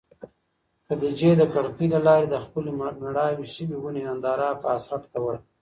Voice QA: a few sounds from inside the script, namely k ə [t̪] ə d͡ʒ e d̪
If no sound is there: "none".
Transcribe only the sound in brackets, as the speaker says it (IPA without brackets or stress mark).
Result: d̪